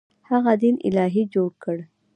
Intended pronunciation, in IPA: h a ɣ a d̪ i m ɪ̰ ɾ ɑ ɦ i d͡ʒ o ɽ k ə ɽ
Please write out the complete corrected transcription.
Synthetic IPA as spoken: h a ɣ a d̪ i n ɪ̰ l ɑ ɦ i d͡ʒ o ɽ k ə ɽ